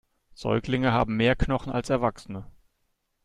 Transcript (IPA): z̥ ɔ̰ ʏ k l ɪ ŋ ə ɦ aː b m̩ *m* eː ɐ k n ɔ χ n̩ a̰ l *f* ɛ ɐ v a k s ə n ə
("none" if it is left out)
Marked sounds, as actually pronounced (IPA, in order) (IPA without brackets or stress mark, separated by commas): m, s